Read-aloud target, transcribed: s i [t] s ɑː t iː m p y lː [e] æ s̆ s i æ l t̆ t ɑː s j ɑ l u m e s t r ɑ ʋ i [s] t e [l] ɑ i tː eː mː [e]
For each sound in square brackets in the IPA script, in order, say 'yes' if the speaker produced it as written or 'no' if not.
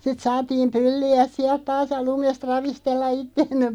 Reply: yes, no, yes, no, yes

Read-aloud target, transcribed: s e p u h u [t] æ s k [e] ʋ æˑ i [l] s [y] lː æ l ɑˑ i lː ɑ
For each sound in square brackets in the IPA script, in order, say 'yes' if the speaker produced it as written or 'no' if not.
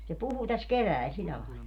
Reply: yes, yes, yes, no

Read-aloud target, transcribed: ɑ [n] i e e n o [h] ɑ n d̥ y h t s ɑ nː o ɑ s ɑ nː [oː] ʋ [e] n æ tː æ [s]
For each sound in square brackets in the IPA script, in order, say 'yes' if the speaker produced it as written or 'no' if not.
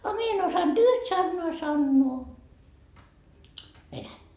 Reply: no, no, yes, yes, no

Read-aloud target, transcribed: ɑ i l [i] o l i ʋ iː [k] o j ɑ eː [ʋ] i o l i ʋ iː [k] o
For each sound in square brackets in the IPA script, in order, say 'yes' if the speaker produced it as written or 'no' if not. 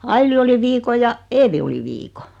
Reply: yes, yes, yes, yes

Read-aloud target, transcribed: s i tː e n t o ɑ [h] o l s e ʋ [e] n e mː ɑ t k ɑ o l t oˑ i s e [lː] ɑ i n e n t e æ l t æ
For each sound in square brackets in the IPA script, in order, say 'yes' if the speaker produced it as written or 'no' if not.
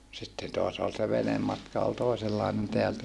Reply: no, yes, yes

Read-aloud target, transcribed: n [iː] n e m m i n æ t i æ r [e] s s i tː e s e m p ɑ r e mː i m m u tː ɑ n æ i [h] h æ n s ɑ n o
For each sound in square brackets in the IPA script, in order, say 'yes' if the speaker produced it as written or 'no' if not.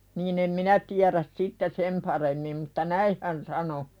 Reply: yes, no, yes

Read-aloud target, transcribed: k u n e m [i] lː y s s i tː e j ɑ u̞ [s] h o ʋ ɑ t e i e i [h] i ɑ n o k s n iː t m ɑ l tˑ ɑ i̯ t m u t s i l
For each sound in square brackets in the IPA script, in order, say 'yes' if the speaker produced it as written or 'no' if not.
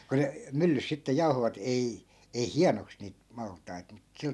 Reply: no, no, yes

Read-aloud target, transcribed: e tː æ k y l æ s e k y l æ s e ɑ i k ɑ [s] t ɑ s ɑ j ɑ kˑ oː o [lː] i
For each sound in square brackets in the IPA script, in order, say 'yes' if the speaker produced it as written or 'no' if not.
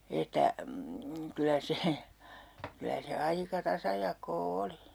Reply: no, no

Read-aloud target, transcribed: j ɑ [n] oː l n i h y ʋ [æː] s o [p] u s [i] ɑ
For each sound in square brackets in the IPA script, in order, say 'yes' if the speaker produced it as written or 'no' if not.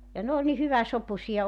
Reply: yes, no, yes, yes

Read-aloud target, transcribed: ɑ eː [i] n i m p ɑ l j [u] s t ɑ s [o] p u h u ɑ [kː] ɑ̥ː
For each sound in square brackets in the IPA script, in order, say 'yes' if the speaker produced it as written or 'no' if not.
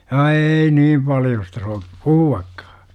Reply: yes, no, yes, yes

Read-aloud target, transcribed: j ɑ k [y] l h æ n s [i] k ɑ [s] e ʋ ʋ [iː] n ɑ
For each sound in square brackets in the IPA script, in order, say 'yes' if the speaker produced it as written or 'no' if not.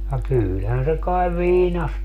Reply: no, no, no, yes

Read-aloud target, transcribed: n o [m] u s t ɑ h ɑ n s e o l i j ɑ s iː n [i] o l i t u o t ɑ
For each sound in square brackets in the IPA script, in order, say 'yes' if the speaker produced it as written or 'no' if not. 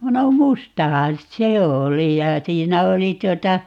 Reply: yes, no

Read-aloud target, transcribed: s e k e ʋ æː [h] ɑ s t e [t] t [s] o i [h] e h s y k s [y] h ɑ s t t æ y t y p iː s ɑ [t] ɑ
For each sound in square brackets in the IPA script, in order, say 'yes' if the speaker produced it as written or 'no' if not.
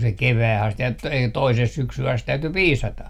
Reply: yes, yes, no, no, yes, yes

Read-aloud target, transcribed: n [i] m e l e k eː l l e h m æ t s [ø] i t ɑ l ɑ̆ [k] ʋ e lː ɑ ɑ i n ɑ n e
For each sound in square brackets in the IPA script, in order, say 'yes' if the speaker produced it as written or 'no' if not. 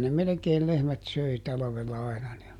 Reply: no, yes, no

